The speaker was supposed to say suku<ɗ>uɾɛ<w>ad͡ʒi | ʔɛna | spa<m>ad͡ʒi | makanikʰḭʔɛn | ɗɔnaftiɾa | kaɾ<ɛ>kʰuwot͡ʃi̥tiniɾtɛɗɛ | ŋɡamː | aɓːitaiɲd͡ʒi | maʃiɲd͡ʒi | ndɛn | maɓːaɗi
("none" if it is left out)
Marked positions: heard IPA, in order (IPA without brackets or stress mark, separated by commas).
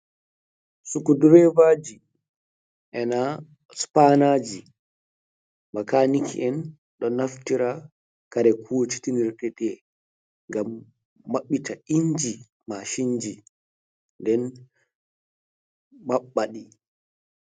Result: d, v, n, ɛ